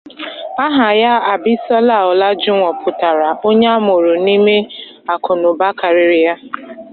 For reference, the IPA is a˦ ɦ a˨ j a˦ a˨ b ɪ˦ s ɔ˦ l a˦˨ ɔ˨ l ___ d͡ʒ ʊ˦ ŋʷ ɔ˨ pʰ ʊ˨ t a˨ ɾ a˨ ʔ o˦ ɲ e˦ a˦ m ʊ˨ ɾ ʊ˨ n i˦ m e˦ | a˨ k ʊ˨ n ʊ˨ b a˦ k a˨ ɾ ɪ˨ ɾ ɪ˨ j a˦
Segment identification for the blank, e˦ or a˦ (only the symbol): a˦